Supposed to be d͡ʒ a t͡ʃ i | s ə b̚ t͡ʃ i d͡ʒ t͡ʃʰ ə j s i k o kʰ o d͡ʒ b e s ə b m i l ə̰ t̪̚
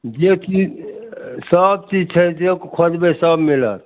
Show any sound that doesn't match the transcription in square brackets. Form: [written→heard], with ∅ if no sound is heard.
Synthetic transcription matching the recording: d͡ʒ [a→e] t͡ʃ i | s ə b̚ t͡ʃ i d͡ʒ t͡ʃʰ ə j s [i→e] k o kʰ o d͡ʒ b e s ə b m i l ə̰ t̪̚